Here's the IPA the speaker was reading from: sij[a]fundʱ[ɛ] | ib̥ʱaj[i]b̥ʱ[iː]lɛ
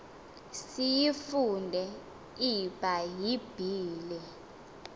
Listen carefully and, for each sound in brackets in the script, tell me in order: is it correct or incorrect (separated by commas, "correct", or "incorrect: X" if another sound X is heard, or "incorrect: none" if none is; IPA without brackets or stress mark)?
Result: incorrect: i, correct, correct, correct